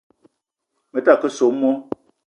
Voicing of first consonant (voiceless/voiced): voiced